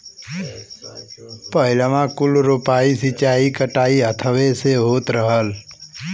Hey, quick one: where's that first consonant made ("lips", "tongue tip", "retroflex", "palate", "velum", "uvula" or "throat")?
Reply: lips